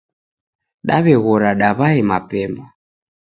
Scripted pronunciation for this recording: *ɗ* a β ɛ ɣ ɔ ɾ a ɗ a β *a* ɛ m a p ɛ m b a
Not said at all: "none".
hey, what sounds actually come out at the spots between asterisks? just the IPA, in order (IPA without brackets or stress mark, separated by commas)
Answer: ɗ, a